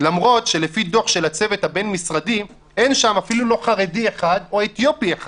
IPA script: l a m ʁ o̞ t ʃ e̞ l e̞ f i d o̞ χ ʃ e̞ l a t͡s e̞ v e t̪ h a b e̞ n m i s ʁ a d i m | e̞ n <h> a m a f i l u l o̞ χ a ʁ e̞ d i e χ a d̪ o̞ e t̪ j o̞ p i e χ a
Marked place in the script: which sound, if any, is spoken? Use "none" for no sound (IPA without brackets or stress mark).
ʃ